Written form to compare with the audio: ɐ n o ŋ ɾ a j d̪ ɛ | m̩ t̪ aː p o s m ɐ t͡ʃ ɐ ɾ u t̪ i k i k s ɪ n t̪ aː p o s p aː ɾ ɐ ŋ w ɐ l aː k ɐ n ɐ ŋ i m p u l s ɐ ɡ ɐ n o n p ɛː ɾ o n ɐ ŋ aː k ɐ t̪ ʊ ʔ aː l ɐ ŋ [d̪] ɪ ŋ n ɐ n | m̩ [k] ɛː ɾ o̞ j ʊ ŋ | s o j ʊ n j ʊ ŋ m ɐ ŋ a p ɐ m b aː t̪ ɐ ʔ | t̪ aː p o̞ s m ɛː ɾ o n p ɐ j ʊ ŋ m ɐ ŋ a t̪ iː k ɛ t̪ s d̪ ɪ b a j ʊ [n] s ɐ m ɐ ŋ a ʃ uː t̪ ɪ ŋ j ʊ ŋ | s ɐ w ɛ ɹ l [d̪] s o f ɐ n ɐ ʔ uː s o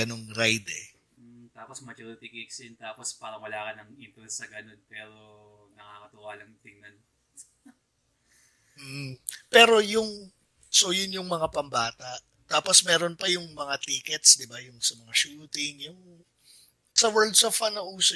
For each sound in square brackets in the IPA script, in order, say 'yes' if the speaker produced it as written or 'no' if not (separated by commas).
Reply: no, no, no, yes